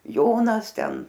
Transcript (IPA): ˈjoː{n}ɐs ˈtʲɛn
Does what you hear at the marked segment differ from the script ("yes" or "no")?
no